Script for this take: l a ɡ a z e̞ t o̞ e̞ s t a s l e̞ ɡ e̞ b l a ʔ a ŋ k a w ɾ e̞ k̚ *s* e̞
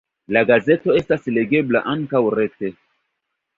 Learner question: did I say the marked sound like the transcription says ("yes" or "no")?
no